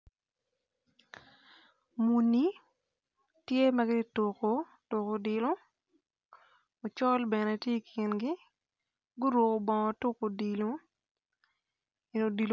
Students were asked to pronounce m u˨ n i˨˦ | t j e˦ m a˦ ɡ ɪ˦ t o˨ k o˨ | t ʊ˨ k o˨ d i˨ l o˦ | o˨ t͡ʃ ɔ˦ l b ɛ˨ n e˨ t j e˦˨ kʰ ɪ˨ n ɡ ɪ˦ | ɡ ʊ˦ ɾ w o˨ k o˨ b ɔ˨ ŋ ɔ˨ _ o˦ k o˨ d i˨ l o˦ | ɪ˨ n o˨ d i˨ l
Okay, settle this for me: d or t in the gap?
t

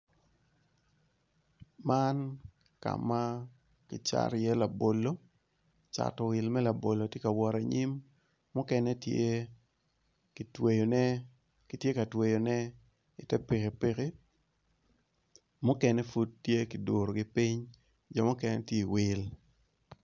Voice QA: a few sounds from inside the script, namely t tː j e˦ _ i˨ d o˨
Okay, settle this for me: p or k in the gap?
k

